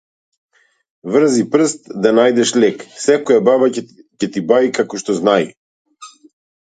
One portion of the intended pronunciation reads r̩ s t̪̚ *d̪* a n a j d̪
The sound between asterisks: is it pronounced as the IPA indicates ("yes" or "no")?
yes